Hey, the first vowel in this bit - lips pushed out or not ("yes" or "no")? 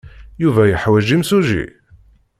yes